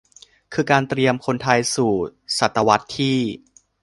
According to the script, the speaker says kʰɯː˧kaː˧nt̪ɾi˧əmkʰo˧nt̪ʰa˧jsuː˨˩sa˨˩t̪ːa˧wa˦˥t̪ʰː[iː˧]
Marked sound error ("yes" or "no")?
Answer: yes